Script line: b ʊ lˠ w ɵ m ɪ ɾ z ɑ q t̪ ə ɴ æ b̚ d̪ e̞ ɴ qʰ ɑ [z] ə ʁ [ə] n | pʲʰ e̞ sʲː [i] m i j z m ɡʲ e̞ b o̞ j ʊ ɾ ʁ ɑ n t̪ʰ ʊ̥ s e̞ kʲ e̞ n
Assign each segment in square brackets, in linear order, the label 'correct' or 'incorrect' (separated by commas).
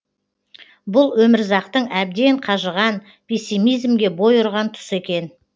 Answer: incorrect, incorrect, correct